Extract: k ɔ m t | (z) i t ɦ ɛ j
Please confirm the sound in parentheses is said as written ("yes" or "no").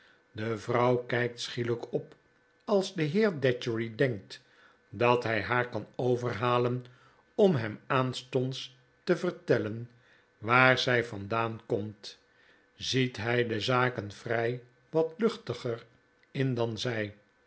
yes